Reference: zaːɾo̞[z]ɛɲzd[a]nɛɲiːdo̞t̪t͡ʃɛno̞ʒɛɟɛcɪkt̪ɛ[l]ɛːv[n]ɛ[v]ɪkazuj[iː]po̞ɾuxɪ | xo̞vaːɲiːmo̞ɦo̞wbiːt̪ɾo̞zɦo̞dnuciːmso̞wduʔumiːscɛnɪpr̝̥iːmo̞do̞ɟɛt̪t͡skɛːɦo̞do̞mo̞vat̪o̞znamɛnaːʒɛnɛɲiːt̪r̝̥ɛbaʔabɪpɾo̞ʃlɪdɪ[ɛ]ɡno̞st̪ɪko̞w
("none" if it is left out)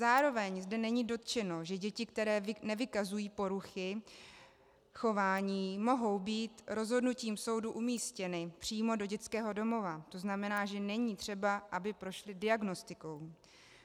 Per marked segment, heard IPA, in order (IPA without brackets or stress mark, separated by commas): v, ɛ, ɾ, n, v, iː, a